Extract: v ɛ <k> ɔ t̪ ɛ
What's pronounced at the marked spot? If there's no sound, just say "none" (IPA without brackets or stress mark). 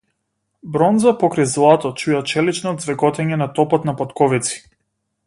ɡ